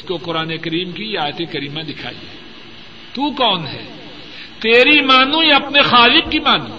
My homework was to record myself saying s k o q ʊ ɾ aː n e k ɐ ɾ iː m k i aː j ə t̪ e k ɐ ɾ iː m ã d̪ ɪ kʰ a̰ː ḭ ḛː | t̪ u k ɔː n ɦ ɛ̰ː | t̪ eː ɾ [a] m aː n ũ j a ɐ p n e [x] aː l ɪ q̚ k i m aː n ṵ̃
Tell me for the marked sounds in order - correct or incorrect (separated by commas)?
incorrect, correct